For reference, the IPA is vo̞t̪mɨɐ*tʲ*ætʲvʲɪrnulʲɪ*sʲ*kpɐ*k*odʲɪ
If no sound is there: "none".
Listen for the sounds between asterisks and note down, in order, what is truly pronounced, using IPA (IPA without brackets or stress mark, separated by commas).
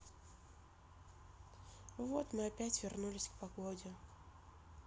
pʲ, sʲ, ɡ